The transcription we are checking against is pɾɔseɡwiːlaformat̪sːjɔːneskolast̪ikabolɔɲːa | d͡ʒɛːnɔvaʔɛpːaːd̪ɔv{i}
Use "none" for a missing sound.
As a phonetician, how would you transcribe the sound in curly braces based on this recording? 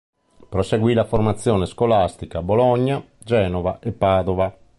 a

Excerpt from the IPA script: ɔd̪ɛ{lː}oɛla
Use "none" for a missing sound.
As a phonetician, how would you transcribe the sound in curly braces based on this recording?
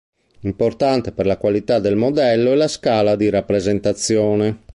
lː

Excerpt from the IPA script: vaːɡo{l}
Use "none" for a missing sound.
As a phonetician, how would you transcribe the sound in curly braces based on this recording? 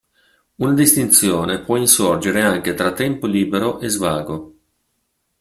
none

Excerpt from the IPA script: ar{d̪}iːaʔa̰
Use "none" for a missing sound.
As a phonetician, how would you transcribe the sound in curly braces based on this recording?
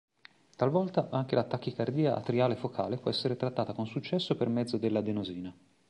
d̪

